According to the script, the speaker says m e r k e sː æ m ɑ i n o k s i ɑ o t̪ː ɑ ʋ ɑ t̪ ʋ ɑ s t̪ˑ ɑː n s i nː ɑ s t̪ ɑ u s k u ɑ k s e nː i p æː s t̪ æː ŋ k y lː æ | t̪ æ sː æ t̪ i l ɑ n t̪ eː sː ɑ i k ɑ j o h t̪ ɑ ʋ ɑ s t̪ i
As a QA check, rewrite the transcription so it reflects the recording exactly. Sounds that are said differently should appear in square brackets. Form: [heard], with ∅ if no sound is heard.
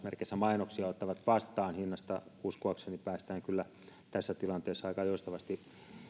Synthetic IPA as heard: m e r k e sː æ m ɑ i n o k s i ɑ o t̪ː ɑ ʋ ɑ t̪ ʋ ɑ s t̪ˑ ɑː n [h] i nː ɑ s t̪ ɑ u s k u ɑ k s e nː i p æː s t̪ æː ŋ k y lː æ | t̪ æ sː æ t̪ i l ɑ n t̪ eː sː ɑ i k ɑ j o [s] t̪ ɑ ʋ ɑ s t̪ i